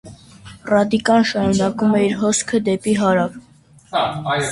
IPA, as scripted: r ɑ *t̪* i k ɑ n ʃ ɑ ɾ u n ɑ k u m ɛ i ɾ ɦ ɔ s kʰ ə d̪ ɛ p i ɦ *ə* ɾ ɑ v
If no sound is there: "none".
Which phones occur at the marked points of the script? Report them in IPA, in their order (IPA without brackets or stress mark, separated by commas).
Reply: d̪, ɑ